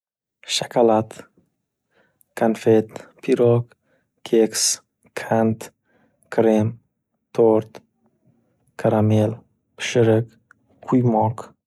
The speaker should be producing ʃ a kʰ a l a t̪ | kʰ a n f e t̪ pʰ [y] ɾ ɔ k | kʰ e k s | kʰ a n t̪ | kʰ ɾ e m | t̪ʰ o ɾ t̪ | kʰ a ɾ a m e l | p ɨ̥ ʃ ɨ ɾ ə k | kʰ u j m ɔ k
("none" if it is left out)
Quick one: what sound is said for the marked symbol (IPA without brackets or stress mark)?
i